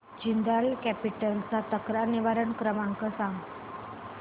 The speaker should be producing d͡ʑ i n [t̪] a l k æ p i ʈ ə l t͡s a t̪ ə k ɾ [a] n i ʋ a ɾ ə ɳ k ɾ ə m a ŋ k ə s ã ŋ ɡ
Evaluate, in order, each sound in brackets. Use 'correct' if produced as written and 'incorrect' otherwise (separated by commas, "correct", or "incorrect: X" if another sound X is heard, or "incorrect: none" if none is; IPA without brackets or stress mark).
incorrect: d̪, correct